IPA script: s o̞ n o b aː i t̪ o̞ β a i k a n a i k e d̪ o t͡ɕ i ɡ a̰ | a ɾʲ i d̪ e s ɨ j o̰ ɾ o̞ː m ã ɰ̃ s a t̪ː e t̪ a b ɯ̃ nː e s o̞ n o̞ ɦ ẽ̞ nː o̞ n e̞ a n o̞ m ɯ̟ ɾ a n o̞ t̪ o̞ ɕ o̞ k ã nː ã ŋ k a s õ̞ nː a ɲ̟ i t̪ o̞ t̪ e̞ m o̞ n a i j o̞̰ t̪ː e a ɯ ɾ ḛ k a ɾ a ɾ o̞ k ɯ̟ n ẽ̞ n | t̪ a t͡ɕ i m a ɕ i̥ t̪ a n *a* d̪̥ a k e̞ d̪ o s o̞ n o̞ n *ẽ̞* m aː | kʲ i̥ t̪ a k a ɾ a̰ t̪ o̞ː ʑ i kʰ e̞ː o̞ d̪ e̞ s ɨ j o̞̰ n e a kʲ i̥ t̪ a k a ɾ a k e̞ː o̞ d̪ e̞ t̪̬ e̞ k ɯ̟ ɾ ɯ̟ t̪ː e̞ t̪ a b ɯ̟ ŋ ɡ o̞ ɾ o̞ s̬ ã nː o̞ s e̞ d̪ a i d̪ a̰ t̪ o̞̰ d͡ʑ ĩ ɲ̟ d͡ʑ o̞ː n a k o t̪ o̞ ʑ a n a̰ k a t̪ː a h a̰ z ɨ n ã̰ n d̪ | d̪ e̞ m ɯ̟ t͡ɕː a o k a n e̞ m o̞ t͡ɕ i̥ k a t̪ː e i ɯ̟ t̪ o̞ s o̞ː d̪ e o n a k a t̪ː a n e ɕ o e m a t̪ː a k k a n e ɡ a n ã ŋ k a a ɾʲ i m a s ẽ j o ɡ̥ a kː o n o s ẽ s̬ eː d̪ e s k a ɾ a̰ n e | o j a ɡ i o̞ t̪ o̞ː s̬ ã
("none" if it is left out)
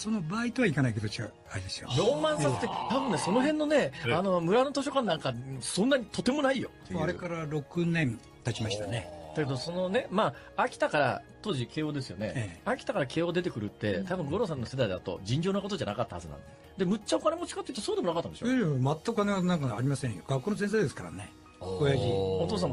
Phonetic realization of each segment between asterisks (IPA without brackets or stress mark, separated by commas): e, e̞